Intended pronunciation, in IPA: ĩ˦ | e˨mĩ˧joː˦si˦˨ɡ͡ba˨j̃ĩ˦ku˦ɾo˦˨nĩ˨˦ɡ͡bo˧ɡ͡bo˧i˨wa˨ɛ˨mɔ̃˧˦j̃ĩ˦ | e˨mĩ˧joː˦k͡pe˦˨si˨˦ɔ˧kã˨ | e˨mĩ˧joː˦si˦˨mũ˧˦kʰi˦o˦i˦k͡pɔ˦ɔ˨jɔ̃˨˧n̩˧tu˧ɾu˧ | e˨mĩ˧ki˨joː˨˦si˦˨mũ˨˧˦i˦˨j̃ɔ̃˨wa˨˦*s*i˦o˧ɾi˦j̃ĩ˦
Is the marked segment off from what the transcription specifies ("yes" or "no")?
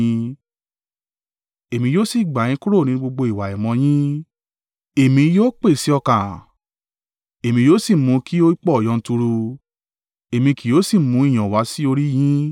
no